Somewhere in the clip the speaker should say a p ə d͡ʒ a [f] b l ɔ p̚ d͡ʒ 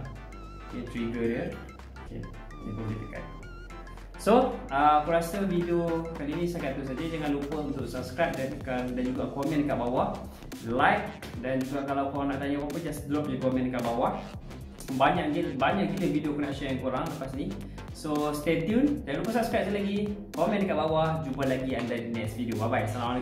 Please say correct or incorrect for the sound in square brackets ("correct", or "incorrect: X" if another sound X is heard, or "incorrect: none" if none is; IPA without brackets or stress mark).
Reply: incorrect: s